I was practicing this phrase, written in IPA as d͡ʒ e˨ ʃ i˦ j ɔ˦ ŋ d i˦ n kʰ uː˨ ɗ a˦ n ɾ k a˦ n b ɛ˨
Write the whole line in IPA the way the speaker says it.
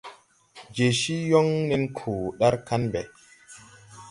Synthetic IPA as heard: d͡ʒ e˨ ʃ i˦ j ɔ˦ ŋ n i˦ n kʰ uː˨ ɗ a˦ ɾ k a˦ n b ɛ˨